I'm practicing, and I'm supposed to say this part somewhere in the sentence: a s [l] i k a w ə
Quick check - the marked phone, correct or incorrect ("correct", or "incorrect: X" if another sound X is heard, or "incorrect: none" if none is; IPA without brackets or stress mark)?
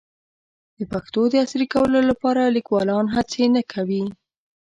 incorrect: ɾ